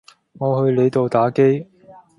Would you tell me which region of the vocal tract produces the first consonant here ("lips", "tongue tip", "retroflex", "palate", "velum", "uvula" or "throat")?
velum